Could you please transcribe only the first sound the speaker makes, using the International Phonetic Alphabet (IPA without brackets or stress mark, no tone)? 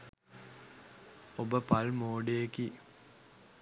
o